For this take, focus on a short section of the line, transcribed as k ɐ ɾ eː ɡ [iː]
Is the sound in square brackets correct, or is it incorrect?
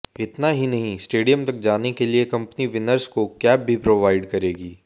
correct